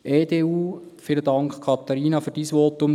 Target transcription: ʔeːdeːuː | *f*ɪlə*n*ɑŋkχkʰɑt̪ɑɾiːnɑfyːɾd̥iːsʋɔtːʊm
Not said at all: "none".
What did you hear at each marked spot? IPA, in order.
f, d

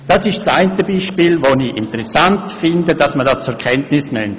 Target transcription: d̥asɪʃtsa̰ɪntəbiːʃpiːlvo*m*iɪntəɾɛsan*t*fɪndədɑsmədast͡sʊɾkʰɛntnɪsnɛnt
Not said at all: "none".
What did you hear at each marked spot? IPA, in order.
n, t

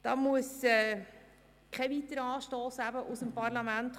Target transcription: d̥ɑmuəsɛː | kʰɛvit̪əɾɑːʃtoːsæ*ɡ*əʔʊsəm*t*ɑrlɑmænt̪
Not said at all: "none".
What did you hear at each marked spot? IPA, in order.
b, p

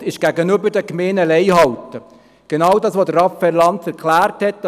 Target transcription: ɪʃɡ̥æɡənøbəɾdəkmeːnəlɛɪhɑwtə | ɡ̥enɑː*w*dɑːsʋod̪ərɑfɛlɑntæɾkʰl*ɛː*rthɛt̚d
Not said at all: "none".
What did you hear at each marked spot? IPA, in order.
w, æː

